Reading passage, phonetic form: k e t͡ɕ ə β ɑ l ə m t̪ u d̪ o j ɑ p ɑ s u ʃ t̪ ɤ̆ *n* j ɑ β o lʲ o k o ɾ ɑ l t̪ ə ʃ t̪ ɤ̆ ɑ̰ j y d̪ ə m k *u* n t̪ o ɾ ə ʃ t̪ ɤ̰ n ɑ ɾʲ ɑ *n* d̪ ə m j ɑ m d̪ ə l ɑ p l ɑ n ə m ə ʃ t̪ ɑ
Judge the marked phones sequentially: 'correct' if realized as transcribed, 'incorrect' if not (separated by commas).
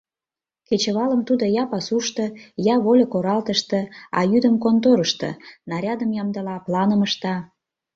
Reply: incorrect, incorrect, incorrect